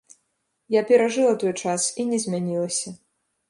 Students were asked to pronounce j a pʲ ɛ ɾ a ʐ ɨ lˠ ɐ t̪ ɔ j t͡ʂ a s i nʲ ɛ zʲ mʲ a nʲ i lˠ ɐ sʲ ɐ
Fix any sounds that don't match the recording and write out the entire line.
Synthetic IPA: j a pʲ ɛ ɾ a ʐ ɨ lˠ ɐ t̪ ɔ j t͡ʂ a s i nʲ ɛ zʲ mʲ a nʲ i lˠ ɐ sʲ ɐ